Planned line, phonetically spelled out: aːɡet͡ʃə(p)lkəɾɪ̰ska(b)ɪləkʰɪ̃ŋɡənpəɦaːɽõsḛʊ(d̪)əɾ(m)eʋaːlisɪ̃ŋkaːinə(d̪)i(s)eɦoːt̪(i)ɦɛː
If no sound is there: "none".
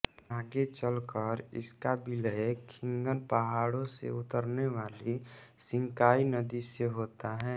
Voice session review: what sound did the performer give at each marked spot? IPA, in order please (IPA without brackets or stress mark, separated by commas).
none, b, t̪, n, d̪, s, a